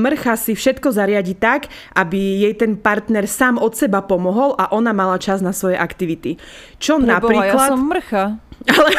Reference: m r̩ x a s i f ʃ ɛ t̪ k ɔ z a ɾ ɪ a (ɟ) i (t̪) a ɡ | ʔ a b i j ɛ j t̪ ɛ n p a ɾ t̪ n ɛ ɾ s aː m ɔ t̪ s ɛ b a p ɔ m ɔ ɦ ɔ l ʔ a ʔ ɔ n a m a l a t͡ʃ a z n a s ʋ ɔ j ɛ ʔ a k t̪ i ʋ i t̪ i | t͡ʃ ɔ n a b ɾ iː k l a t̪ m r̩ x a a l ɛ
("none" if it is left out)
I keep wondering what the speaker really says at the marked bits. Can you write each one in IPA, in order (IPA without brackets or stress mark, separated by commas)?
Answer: ɟ, t̪